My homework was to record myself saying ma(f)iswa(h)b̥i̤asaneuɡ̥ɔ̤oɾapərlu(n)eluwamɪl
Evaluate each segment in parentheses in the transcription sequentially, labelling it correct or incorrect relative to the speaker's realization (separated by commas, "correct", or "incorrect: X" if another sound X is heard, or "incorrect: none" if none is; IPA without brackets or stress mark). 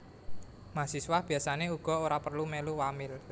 incorrect: s, correct, incorrect: m